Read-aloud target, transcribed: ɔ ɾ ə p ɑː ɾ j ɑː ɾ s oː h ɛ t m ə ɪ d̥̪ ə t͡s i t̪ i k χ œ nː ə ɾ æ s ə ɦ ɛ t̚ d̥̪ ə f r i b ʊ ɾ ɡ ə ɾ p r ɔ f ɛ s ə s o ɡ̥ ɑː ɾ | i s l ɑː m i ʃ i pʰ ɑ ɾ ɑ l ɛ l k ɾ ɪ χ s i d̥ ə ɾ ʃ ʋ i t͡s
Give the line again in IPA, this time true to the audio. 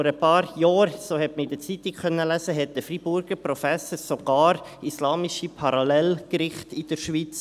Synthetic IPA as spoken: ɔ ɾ ə p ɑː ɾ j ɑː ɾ s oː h ɛ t m ə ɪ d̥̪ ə t͡s i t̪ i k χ œ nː ə l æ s ə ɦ ɛ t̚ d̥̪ ə f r i b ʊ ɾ ɡ ə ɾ p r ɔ f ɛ s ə s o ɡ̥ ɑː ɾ | i s l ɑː m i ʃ i pʰ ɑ ɾ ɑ l ɛ l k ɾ ɪ χ t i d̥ ə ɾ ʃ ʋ i t͡s